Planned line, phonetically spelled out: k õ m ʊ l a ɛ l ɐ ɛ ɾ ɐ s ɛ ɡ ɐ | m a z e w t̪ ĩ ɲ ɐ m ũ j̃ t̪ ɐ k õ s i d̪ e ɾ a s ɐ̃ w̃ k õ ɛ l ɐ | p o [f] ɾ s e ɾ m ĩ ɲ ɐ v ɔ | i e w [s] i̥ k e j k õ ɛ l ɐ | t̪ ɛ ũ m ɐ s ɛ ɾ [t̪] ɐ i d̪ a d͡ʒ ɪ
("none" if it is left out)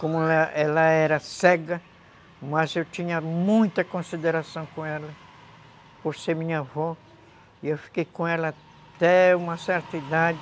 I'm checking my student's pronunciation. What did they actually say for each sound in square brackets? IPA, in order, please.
none, f, t̪

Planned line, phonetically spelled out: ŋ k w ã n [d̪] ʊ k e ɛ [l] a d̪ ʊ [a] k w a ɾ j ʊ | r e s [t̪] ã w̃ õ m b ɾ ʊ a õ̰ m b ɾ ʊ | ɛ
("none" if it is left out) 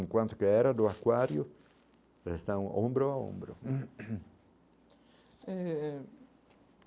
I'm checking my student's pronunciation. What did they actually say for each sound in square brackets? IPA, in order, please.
t̪, ɾ, a, t̪

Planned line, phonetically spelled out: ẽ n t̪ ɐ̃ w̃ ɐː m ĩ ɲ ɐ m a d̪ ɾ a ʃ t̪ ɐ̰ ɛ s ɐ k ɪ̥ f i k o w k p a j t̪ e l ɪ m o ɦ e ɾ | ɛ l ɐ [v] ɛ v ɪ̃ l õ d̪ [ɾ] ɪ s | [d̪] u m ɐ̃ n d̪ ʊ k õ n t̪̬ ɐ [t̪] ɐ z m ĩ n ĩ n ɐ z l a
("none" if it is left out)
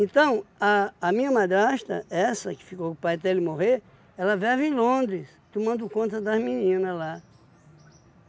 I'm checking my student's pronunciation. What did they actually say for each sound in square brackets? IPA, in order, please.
v, ɾ, t̪, d̪

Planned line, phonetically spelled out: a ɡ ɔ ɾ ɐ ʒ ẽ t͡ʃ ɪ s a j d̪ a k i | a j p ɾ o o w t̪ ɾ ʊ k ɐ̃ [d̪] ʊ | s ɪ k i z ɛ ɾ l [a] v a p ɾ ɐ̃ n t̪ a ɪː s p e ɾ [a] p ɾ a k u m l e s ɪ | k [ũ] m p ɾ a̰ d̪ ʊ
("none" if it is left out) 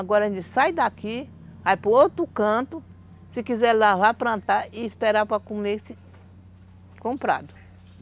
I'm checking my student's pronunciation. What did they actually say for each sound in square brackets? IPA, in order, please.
t̪, a, a, õ

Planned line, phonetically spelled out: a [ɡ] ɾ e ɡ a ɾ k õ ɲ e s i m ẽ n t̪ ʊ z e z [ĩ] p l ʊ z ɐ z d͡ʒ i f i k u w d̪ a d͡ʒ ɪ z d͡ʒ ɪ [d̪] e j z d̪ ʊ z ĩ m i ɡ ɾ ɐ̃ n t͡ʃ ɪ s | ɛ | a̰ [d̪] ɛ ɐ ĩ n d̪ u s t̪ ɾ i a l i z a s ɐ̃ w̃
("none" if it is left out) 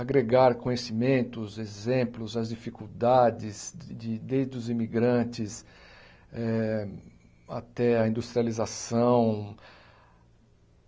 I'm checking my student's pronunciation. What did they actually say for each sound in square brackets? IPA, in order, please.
ɡ, ẽ, d̪, t̪

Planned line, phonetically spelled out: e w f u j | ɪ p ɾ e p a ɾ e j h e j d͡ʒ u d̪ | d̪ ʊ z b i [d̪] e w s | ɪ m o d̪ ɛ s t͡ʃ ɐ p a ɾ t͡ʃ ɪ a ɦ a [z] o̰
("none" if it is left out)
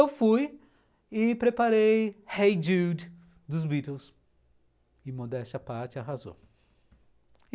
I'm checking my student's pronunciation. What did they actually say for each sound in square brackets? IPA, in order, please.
t̪, z

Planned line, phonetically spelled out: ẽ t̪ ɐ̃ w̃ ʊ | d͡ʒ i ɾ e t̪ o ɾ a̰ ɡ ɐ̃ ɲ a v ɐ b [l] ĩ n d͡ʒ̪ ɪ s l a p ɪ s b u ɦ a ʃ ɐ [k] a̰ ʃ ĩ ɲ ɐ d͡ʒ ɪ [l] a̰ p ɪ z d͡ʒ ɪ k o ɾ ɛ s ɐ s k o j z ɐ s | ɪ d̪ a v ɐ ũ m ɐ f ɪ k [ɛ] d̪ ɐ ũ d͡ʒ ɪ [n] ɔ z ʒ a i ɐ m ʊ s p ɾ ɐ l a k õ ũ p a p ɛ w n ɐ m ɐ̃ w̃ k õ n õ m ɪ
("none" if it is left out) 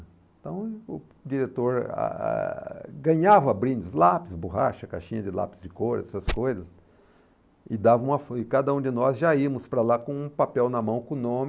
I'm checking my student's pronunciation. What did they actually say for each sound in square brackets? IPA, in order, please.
ɾ, k, l, a, n

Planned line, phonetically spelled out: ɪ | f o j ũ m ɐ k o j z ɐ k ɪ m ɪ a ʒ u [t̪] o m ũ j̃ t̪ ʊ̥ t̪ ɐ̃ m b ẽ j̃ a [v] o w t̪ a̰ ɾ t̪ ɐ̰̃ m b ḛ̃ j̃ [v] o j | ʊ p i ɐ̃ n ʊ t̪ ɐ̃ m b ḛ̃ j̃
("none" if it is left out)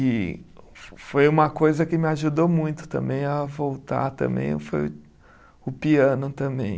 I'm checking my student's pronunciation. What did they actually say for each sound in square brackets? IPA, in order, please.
d̪, v, f

